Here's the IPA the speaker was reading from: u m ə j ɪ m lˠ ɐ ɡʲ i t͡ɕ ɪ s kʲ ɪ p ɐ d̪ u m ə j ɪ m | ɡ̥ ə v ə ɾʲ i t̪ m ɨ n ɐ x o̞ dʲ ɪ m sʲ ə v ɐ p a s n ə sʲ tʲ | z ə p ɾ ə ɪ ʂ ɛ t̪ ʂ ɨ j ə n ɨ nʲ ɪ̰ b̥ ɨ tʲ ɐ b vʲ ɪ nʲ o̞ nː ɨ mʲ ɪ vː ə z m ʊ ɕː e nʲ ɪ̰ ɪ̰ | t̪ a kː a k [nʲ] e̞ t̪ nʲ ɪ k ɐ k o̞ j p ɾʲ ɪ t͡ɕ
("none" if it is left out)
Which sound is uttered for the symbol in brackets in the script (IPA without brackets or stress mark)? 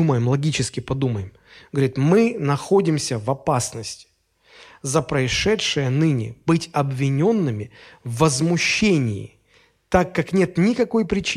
nʲ